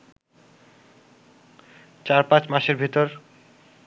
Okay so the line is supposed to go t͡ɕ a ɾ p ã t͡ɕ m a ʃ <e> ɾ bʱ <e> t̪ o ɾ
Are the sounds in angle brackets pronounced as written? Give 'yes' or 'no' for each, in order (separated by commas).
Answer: yes, no